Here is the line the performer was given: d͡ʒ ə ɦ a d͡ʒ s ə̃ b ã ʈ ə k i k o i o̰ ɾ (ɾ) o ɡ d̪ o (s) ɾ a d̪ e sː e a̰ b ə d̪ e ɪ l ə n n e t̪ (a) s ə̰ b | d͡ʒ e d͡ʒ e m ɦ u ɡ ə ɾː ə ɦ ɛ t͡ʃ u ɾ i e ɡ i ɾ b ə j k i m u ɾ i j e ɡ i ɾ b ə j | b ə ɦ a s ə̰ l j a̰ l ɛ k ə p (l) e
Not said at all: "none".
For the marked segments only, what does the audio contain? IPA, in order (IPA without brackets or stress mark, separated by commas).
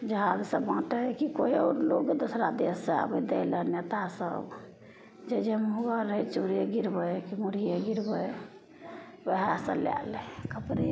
l, s, a, ɾ